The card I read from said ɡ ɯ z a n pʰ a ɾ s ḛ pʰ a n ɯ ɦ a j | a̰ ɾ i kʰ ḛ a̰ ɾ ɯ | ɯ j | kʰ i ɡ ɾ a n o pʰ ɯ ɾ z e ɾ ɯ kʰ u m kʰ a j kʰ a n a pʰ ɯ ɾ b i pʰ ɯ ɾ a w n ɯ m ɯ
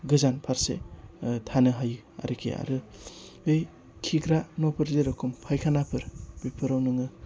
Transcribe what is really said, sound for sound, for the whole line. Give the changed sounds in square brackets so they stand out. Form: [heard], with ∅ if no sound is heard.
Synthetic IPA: ɡ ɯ z a n pʰ a ɾ s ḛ [tʰ] a n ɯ ɦ a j | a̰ ɾ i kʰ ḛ a̰ ɾ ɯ | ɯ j | kʰ i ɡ ɾ a n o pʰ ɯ ɾ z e ɾ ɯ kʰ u m [pʰ] a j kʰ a n a pʰ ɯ ɾ b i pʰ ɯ ɾ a w n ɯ [ŋ] ɯ